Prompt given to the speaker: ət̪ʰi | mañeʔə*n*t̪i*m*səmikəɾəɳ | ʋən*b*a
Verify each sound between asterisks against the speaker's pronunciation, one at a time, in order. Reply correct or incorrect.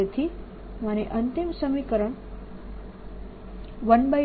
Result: correct, correct, correct

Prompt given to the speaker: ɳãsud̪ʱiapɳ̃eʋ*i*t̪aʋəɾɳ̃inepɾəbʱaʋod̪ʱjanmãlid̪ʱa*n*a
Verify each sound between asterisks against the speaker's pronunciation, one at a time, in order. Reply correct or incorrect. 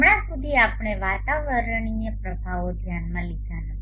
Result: incorrect, correct

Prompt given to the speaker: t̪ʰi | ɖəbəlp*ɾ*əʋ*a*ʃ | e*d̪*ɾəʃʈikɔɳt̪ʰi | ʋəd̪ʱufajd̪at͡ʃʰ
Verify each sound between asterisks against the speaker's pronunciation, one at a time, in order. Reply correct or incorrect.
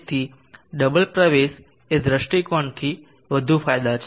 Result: correct, incorrect, correct

